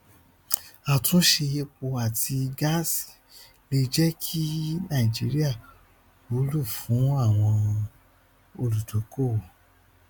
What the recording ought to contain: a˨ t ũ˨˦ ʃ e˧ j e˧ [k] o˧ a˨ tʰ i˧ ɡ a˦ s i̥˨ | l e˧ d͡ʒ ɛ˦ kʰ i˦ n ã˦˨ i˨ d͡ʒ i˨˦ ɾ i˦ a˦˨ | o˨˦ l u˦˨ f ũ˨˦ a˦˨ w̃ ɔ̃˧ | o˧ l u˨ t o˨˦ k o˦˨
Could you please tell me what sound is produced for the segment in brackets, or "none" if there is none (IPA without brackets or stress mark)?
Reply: k͡p